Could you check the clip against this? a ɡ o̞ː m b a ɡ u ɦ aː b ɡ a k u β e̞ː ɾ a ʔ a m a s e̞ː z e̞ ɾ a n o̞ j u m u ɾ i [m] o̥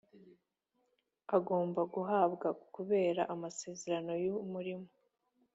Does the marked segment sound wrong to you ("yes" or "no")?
no